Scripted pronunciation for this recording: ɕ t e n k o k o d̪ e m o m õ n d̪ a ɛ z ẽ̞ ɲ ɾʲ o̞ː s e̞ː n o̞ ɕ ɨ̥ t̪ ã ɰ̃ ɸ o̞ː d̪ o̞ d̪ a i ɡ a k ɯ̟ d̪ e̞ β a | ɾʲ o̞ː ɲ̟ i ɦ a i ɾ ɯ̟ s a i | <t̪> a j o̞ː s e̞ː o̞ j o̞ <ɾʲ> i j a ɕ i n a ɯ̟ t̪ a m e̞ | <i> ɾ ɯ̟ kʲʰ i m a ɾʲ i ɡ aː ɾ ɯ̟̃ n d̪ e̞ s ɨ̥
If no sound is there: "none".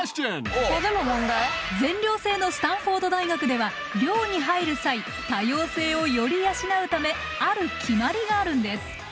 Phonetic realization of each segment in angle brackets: t̪, ɾʲ, a

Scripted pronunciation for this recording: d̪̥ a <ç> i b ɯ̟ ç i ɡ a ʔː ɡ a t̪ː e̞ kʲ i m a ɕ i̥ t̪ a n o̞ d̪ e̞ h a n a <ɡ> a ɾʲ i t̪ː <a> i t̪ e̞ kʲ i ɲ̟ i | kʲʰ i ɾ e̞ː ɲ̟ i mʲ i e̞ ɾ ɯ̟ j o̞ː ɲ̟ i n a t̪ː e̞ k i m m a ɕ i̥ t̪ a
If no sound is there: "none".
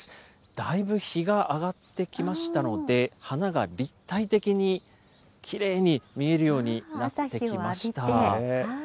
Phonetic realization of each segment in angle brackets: none, ɡ, a

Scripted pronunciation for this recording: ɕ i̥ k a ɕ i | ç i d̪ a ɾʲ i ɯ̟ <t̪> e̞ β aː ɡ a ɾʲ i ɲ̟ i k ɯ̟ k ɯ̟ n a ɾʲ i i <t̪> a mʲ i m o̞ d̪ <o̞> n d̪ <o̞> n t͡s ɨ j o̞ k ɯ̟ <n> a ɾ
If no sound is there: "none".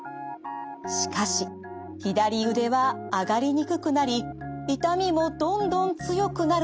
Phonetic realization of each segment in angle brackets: d̪, t̪, õ̞, õ̞, n

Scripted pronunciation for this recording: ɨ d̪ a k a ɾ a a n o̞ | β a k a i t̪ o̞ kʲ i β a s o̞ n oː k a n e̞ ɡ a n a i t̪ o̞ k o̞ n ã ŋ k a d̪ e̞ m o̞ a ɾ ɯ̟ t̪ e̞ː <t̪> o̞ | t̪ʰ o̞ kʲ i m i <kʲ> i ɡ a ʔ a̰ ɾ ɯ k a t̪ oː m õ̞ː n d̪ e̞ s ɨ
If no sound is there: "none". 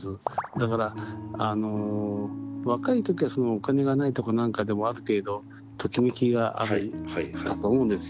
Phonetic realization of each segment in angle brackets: d̪, kʲ

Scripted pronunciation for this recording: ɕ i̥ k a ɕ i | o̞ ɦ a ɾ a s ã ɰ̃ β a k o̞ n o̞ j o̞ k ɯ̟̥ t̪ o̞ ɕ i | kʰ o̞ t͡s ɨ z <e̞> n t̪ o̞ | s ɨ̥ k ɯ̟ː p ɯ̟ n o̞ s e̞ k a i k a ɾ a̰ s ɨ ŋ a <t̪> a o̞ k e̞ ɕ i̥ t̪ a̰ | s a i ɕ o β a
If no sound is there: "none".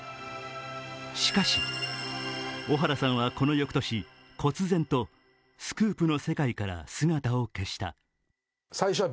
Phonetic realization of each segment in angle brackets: ẽ̞, t̪

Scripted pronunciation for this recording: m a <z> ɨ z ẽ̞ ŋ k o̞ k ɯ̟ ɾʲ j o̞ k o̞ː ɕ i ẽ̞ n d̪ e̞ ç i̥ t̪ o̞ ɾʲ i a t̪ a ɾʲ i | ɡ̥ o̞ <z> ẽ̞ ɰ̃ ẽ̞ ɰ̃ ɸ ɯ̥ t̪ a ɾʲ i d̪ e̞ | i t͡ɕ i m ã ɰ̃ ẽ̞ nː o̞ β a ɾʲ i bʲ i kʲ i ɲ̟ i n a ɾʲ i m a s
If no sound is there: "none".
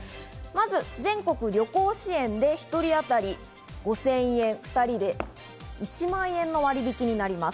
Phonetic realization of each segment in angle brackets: z, s

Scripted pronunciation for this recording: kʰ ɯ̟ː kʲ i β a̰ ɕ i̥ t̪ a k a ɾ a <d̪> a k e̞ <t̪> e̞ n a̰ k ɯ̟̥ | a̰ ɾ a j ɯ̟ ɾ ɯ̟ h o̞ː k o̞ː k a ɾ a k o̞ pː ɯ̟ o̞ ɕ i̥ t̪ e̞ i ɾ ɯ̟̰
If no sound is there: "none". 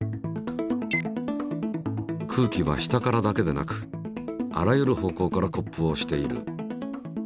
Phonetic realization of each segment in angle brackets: d̪, d̪

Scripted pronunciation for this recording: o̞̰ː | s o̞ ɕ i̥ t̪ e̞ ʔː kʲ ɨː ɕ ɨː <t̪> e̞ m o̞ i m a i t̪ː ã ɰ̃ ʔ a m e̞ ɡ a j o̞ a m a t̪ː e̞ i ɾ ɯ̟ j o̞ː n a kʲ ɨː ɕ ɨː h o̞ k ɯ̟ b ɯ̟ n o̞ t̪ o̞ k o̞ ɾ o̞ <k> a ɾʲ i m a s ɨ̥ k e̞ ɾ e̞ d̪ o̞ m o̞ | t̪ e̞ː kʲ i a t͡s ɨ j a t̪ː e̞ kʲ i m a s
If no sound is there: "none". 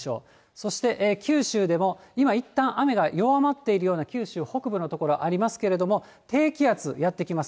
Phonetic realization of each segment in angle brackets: d̪, ʔ

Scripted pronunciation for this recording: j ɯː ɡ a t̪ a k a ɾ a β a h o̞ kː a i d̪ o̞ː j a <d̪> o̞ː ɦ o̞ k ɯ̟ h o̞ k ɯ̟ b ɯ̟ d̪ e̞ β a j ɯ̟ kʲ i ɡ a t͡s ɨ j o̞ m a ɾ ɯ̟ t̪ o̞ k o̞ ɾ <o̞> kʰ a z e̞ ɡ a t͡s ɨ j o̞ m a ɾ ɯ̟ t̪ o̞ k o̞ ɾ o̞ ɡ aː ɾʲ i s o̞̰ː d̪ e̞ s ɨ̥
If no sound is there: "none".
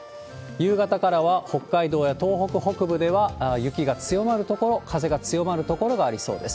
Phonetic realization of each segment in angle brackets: t̪, o̞

